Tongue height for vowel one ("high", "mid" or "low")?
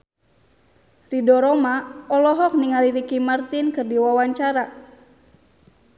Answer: high